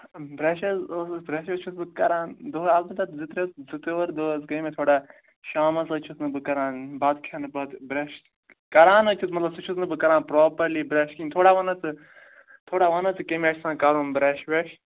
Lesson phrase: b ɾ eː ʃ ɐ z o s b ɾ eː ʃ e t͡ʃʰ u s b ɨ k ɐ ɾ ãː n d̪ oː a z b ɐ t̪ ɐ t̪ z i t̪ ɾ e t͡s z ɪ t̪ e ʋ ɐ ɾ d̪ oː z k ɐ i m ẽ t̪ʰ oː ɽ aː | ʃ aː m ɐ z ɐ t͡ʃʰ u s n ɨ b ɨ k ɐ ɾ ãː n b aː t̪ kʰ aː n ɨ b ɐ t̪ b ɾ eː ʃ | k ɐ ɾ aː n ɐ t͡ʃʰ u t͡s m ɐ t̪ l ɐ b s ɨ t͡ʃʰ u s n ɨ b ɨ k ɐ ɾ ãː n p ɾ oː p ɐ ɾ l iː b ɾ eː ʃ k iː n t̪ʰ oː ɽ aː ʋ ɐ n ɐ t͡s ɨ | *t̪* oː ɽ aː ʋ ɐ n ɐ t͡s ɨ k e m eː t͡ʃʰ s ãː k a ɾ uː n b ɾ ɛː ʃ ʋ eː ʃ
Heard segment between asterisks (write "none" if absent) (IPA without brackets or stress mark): t̪ʰ